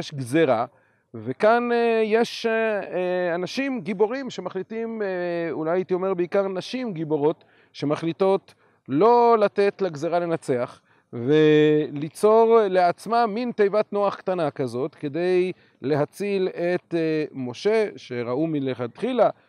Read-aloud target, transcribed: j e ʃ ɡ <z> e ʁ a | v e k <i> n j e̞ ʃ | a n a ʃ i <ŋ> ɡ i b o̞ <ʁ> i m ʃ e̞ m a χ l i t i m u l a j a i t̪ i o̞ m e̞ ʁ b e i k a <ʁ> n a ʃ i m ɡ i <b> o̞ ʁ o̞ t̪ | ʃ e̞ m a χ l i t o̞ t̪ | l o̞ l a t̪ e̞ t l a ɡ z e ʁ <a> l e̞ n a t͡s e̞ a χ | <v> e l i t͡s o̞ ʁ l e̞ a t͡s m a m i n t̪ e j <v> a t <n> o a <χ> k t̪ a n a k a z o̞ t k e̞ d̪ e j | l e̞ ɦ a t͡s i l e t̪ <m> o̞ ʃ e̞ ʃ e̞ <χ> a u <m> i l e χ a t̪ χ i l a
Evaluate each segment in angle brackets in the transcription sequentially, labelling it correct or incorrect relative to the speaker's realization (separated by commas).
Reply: correct, incorrect, incorrect, correct, correct, correct, correct, correct, correct, correct, correct, correct, incorrect, correct